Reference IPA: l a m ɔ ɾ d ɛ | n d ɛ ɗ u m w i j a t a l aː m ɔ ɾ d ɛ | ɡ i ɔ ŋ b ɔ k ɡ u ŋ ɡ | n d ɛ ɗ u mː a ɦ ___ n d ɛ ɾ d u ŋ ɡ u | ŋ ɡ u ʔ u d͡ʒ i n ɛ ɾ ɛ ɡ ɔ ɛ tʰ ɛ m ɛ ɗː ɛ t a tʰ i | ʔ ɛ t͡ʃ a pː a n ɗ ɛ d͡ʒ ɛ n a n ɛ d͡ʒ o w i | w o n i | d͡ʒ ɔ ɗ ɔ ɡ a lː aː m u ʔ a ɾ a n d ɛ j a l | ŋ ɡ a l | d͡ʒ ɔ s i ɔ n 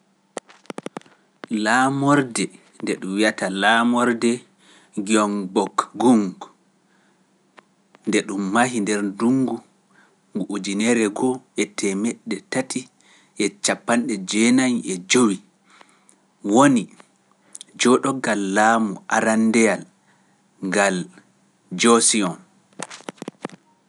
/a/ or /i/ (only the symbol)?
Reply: i